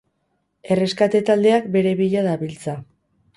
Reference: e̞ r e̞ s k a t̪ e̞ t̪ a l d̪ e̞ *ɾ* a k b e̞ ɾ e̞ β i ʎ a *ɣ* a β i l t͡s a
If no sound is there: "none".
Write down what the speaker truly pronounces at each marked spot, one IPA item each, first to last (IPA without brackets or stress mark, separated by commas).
none, ð